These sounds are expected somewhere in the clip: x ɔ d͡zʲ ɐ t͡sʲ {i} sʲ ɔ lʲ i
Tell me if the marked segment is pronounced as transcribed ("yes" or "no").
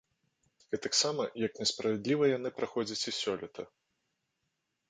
yes